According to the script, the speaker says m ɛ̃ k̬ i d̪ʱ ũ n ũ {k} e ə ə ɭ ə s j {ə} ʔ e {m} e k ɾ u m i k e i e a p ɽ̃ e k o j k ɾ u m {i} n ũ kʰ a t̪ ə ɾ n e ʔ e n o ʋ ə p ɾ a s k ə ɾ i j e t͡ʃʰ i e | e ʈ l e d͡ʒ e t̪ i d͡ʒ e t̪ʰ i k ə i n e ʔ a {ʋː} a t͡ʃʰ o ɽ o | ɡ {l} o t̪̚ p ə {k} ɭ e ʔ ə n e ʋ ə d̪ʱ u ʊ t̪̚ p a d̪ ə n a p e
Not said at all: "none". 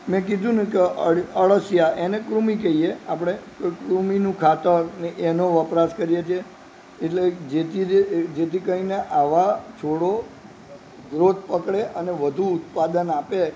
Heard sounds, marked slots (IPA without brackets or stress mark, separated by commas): k, a, n, i, ʋ, ɾ, k